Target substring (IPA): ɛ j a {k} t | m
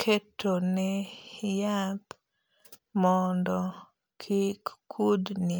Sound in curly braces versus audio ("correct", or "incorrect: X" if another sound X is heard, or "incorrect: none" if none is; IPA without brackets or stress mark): incorrect: none